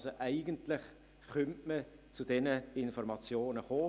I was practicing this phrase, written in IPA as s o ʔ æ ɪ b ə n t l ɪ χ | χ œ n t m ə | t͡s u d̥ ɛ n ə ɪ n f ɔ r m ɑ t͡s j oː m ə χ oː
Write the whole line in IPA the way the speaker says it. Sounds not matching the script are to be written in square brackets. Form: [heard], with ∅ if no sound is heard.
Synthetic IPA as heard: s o ʔ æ ɪ [ɡ] ə n t l ɪ χ | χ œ n t m ə | t͡s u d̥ ɛ n ə ɪ n f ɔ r m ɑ t͡s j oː [n] ə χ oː